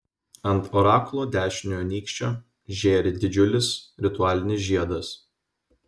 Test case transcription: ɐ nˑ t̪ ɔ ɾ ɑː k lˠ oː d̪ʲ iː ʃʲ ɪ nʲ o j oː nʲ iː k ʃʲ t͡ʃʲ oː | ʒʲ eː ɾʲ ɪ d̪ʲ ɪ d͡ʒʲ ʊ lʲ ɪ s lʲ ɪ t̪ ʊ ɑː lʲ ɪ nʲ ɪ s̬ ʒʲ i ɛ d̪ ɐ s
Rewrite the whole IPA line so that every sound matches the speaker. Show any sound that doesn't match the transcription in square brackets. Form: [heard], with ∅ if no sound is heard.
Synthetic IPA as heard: ɐ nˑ t̪ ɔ ɾ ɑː k lˠ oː d̪ʲ [æː] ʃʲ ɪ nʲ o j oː nʲ iː k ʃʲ t͡ʃʲ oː | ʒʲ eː ɾʲ ɪ d̪ʲ ɪ d͡ʒʲ ʊ lʲ ɪ s [ɾʲ] ɪ t̪ ʊ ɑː lʲ ɪ nʲ ɪ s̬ ʒʲ i ɛ d̪ ɐ s